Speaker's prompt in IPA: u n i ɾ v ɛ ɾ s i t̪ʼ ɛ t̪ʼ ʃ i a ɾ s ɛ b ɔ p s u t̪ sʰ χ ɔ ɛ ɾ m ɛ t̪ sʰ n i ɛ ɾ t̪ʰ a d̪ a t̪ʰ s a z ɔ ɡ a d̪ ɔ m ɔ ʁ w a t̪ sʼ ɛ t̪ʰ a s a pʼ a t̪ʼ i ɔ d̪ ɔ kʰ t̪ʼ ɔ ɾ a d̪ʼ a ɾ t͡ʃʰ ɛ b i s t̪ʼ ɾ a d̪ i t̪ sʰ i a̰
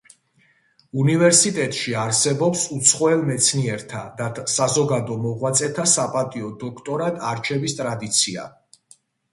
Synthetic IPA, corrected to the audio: u n i v ɛ ɾ s i t̪ʼ ɛ t̪ʼ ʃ i a ɾ s ɛ b ɔ p s u t̪ sʰ χ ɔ ɛ l m ɛ t̪ sʰ n i ɛ ɾ t̪ʰ a d̪ a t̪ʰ s a z ɔ ɡ a d̪ ɔ m ɔ ʁ w a t̪ sʼ ɛ t̪ʰ a s a pʼ a t̪ʼ i ɔ d̪ ɔ kʰ t̪ʼ ɔ ɾ a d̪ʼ a ɾ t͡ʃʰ ɛ v i s t̪ʼ ɾ a d̪ i t̪ sʰ i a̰